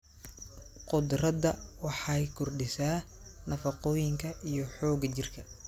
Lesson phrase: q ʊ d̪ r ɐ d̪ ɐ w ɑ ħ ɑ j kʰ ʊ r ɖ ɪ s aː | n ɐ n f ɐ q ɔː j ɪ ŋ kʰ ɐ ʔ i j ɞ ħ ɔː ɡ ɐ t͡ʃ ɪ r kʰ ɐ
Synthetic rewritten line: q ʊ d̪ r ɐ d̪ ɐ w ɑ ħ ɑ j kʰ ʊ r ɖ ɪ s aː | n ɐ f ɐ q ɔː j ɪ ŋ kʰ ɐ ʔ i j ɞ ħ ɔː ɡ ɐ t͡ʃ ɪ r kʰ ɐ